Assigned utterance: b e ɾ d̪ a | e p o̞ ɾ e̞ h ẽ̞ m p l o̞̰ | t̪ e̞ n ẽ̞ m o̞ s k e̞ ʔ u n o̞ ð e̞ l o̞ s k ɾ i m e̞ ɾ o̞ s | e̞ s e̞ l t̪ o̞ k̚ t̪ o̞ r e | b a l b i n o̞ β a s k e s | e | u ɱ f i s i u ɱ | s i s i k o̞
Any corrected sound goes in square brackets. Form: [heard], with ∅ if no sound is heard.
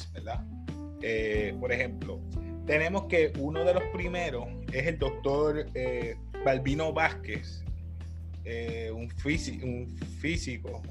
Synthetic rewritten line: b e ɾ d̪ a | e p o̞ ɾ e̞ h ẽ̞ m p l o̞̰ | t̪ e̞ n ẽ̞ m o̞ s k e̞ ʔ u n o̞ ð e̞ l o̞ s [p] ɾ i m e̞ ɾ o̞ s | e̞ s e̞ l [d̪] o̞ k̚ t̪ o̞ [ɾ] e | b a l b i n o̞ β a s k e s | e | u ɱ f i s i u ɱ | [f] i s i k o̞